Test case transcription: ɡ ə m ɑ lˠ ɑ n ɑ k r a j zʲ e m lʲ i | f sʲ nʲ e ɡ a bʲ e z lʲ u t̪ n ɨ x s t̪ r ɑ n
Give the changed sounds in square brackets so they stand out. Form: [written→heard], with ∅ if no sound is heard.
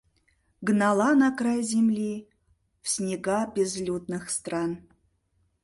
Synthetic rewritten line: ɡ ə [m→n] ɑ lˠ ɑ n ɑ k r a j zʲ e m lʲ i | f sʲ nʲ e ɡ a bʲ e z lʲ u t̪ n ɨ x s t̪ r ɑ n